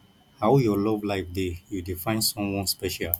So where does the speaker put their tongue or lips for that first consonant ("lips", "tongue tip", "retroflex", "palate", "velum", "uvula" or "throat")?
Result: throat